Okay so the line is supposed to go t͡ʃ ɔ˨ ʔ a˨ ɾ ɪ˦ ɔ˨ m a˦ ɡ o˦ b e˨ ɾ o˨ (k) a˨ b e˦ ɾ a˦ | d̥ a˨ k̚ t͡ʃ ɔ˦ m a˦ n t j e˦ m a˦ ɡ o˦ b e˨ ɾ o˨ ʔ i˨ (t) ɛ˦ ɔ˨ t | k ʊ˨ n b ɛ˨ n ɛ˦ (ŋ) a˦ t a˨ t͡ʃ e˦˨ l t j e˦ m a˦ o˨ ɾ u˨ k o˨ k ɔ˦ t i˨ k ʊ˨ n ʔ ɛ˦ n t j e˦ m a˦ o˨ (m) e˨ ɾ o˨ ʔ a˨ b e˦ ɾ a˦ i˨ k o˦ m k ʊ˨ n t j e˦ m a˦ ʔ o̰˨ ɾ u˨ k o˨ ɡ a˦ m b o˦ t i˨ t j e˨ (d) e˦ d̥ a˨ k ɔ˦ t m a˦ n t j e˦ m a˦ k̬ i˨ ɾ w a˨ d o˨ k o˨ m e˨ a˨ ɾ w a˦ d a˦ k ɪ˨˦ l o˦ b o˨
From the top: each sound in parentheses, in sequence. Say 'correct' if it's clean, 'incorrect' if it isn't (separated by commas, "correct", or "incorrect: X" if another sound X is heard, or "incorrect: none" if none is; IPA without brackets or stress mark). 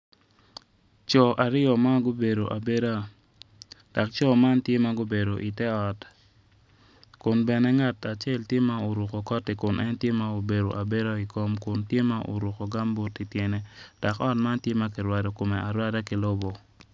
incorrect: ʔ, correct, correct, incorrect: b, incorrect: n